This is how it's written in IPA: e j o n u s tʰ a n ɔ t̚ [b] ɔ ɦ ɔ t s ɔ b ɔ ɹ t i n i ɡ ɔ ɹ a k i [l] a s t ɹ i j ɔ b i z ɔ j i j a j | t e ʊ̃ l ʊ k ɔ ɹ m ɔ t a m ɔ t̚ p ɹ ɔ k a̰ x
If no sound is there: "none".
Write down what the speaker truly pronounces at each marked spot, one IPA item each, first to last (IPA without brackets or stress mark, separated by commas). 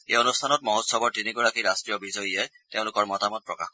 m, ɹ